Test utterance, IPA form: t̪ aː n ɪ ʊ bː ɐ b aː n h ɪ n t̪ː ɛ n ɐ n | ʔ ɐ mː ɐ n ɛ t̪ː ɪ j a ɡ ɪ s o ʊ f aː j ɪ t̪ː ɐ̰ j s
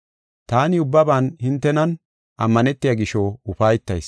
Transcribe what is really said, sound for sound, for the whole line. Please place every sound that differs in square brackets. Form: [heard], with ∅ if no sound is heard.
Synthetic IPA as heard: t̪ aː n ɪ ʊ bː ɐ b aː n h ɪ n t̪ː ɛ n ɐ n | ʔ ɐ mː ɐ n ɛ t̪ː ɪ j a ɡ ɪ [ʃ] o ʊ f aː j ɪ t̪ː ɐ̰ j s